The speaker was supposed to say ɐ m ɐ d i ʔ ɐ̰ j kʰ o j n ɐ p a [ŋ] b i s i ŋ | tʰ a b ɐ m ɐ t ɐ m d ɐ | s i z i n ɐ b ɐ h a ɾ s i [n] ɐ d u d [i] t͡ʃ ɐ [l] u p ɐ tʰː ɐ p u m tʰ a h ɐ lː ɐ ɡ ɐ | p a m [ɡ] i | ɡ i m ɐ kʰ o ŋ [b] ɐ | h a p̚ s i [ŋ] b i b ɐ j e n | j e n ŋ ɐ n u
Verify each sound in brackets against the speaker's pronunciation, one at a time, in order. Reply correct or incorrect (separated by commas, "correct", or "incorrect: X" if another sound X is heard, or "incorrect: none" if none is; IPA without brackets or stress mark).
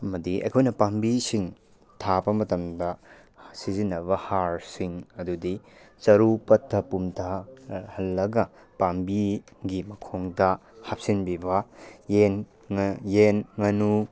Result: incorrect: m, incorrect: ŋ, correct, incorrect: ɾ, incorrect: b, incorrect: d, incorrect: n